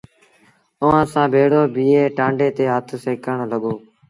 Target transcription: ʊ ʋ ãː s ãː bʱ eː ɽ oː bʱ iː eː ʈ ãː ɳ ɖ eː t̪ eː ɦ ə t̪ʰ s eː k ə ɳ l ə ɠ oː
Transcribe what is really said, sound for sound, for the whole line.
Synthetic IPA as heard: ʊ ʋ ãː s ãː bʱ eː ɽ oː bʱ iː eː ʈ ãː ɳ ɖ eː t̪ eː ɦ ə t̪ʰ s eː k ə ɳ l ə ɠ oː